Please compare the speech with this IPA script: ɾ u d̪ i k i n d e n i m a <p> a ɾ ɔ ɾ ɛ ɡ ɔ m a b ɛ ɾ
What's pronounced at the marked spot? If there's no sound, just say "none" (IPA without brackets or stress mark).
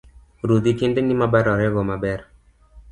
b